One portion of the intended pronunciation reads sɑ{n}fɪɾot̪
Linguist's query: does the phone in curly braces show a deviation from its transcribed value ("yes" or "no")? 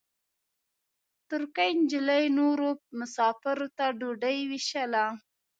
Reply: yes